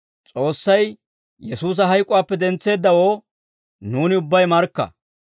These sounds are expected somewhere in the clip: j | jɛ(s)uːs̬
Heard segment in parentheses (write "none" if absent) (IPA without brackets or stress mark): s